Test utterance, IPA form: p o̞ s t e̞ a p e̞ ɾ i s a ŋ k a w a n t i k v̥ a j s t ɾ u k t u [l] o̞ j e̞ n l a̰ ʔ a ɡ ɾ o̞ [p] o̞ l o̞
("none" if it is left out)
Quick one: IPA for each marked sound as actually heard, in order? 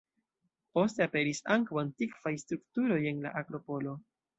ɾ, p

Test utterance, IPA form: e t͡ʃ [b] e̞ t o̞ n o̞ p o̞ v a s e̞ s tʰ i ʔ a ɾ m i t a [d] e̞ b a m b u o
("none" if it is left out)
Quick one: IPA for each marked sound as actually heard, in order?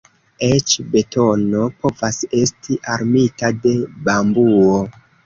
b, d

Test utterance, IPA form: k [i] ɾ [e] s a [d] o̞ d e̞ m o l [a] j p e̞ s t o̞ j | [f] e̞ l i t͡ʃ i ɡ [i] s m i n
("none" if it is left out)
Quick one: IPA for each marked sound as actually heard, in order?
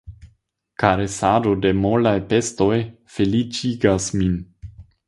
a, e, d, a, f, a

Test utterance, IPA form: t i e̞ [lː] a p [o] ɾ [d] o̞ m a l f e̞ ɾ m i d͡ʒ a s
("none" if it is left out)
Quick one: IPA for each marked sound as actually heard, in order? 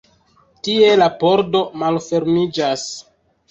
l, o, d

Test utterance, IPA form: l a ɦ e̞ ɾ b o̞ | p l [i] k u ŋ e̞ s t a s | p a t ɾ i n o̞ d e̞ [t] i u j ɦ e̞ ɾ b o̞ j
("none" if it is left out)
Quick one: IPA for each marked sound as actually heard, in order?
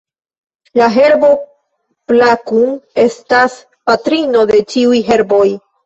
a, t͡ʃ

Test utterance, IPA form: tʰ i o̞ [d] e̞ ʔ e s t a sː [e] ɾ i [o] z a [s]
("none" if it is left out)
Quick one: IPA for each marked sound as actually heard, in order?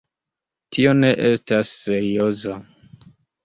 n, e, o, none

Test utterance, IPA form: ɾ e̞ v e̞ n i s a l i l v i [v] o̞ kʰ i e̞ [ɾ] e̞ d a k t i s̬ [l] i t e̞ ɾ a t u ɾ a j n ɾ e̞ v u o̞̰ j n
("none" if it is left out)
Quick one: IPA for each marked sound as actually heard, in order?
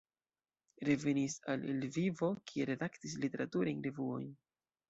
v, ɾ, l

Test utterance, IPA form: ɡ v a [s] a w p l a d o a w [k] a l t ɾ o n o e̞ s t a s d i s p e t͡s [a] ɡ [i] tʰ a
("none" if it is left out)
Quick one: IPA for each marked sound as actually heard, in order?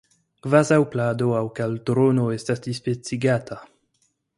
z, k, i, a

